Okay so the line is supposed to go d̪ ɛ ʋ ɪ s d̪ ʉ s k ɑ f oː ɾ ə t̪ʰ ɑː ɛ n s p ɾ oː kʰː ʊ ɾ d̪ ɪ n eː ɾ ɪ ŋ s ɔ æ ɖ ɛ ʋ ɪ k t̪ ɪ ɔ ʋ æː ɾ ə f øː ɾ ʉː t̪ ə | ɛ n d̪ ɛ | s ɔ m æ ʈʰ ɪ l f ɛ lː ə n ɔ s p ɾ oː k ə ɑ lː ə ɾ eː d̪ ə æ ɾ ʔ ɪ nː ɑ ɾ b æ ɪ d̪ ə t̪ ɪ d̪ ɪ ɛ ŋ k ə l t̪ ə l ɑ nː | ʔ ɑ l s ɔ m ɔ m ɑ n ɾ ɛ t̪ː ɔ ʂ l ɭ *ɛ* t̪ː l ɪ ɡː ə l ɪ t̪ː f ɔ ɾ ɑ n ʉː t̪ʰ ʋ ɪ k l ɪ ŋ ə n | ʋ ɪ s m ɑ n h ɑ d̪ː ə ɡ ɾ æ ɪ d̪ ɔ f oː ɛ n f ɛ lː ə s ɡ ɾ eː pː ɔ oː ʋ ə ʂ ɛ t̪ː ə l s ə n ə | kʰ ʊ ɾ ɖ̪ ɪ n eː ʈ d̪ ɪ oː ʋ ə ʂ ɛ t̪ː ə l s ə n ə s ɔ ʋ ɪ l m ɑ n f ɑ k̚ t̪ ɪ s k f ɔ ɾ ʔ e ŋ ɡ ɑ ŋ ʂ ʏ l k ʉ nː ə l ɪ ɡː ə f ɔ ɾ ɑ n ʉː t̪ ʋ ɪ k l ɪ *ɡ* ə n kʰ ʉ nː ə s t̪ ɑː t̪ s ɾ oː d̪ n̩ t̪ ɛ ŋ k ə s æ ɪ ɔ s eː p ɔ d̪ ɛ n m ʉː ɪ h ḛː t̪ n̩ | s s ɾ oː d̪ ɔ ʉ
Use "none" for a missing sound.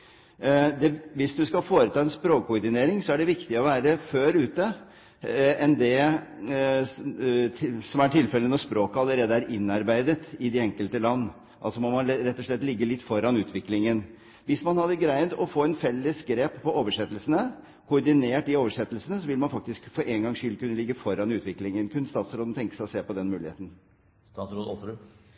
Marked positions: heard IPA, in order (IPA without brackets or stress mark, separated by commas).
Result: ɛ, ŋ